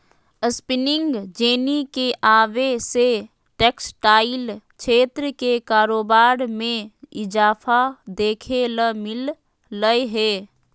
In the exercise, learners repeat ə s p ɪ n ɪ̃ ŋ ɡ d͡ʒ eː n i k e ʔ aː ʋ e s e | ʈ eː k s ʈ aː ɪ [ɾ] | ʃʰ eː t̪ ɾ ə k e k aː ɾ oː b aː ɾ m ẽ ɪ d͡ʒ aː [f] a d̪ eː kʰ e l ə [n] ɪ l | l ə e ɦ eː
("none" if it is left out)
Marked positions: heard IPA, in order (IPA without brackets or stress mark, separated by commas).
l, f, m